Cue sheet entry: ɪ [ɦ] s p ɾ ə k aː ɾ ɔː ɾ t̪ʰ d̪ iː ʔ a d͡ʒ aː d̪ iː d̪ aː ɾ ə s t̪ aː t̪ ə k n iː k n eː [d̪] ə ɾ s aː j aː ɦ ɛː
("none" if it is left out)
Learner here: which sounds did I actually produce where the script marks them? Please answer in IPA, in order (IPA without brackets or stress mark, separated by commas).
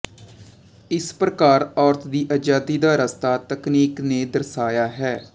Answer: none, d̪